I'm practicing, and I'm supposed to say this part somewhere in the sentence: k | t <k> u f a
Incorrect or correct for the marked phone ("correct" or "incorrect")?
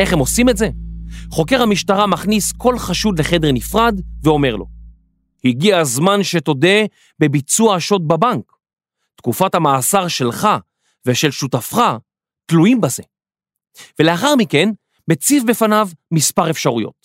correct